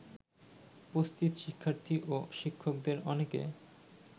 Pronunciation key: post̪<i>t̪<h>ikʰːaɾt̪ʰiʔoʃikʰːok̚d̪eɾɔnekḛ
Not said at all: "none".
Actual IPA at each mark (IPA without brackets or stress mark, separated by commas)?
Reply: i, ʃ